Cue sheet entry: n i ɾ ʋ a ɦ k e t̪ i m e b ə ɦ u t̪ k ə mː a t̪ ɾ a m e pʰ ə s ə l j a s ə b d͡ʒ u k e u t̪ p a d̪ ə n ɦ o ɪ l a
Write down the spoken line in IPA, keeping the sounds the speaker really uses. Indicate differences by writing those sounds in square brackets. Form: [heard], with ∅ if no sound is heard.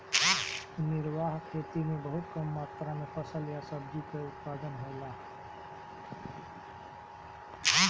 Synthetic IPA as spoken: n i ɾ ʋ a ɦ [kʰ] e t̪ i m e b ə ɦ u t̪ k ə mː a t̪ ɾ a m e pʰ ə s ə l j a s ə b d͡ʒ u k e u t̪ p a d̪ ə n ɦ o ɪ l a